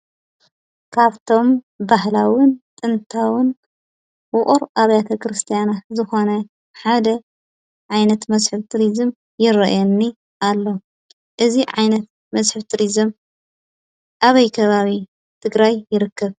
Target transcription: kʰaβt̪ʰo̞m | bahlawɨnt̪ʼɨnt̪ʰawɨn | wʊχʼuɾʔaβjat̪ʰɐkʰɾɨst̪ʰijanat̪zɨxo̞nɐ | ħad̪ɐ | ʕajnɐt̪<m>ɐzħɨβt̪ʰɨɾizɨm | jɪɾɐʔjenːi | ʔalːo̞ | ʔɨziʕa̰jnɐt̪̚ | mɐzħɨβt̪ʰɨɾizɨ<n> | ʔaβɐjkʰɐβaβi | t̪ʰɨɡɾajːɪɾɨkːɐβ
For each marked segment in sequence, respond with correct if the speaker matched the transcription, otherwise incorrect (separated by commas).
correct, incorrect